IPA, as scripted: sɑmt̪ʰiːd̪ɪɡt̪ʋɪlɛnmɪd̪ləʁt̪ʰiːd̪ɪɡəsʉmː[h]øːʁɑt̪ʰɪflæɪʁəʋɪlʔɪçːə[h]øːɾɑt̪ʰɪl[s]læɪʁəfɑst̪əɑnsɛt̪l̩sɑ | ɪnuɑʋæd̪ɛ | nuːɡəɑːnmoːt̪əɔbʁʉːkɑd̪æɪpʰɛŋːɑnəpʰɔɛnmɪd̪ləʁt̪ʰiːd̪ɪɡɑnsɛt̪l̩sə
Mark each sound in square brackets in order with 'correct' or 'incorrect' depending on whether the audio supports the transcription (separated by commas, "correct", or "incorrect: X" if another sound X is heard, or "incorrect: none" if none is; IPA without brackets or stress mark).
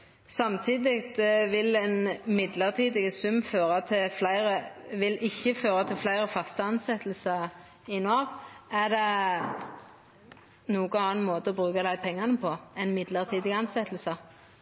incorrect: f, incorrect: f, incorrect: f